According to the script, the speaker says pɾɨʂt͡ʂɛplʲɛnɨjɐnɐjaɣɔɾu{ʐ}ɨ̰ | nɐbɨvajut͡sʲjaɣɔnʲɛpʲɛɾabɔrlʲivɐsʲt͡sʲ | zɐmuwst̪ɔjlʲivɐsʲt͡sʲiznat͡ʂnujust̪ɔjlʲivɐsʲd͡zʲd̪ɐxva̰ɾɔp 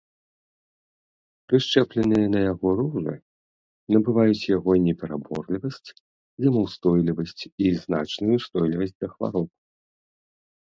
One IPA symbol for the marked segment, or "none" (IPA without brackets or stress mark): ʐ